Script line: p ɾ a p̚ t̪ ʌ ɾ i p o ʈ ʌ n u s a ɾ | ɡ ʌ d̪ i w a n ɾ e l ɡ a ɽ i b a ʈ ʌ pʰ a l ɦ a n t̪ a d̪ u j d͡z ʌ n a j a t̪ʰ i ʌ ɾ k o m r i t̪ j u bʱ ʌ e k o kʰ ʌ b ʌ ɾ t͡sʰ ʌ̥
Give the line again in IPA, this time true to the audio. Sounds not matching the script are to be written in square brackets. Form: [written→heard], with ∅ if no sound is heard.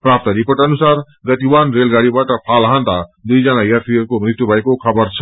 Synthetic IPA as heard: p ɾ a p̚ t̪ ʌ ɾ i p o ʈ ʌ n u s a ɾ | ɡ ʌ [d̪→t̪] i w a n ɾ e l ɡ a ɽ i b a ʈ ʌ pʰ a l ɦ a n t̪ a d̪ u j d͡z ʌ n a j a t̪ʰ i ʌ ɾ k o m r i t̪ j u bʱ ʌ e k o kʰ ʌ b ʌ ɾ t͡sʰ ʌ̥